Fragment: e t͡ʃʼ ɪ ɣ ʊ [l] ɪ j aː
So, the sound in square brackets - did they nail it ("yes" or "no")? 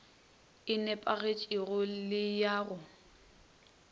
yes